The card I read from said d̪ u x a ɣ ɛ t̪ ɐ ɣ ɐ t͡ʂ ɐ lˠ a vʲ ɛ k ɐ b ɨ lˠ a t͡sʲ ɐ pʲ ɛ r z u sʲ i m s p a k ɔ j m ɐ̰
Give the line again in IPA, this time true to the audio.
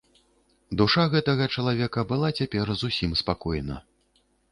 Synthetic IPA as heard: d̪ u ʂ a ɣ ɛ t̪ ɐ ɣ ɐ t͡ʂ ɐ lˠ a vʲ ɛ k ɐ b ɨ lˠ a t͡sʲ a pʲ ɛ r z u sʲ i m s p a k ɔ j n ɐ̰